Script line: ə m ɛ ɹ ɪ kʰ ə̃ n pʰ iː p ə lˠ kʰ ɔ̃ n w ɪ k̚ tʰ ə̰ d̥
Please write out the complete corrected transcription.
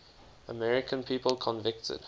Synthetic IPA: ə m ɛ ɹ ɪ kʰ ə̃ n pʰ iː p ə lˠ kʰ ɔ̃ n v ɪ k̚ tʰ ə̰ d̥